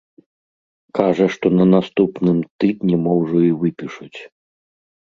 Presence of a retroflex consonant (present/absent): present